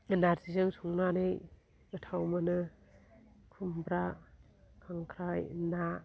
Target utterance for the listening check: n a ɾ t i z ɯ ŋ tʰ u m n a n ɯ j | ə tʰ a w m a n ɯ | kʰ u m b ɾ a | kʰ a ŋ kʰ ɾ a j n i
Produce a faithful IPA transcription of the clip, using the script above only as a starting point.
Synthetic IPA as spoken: n a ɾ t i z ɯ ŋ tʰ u ŋ n a n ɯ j | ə tʰ a w m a n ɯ | kʰ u m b ɾ a | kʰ a ŋ kʰ ɾ a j n a